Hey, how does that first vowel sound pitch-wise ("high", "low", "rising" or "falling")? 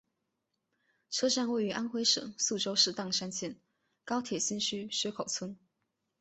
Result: high